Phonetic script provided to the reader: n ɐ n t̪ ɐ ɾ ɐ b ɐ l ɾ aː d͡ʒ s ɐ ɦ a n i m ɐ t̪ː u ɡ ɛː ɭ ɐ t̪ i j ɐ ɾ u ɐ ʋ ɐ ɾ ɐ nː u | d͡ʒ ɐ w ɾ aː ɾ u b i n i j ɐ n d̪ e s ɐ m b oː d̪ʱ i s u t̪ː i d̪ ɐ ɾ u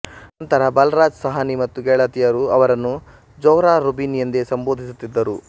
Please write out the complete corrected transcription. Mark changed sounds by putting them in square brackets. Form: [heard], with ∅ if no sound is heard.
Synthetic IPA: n ɐ n t̪ ɐ ɾ ɐ b ɐ l ɾ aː d͡ʒ s ɐ ɦ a n i m ɐ t̪ː u ɡ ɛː ɭ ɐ t̪ i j ɐ ɾ u ɐ ʋ ɐ ɾ ɐ nː u | d͡ʒ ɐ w ɾ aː ɾ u b i n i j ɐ n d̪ e s ɐ m b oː d̪ʱ i s u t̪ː i [d̪ː] ɐ ɾ u

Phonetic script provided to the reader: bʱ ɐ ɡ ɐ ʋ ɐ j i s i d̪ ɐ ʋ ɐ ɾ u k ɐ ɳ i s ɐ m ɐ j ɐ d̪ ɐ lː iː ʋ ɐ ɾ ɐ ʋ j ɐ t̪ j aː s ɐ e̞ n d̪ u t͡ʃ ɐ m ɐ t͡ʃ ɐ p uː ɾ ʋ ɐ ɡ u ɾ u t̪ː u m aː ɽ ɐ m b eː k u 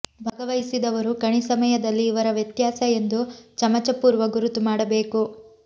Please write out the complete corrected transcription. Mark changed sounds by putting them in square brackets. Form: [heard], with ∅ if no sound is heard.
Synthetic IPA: bʱ ɐ ɡ ɐ ʋ ɐ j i s i d̪ ɐ ʋ ɐ ɾ u k ɐ ɳ i s ɐ m ɐ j ɐ d̪ ɐ lː iː ʋ ɐ ɾ ɐ ʋ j ɐ t̪ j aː s ɐ e̞ n d̪ u t͡ʃ ɐ m ɐ t͡ʃ ɐ p uː ɾ ʋ ɐ ɡ u ɾ u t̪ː u m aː ɽ ɐ [∅] b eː k u

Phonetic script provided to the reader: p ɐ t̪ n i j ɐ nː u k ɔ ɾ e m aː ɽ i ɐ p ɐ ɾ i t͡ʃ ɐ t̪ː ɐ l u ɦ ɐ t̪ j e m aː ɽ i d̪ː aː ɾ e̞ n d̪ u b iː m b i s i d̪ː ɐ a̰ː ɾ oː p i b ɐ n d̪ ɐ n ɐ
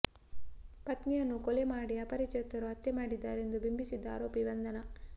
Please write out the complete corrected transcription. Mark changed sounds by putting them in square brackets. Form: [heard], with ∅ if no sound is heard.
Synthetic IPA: p ɐ t̪ n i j ɐ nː u k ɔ [l] e m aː ɽ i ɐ p ɐ ɾ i t͡ʃ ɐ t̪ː ɐ [ɾ] u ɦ ɐ t̪ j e m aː ɽ i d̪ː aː ɾ e̞ n d̪ u b [i] m b i s i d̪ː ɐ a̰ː ɾ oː p i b ɐ n d̪ ɐ n ɐ

